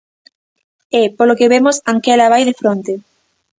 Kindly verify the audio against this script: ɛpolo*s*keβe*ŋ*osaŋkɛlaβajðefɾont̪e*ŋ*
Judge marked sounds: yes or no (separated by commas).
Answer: no, no, no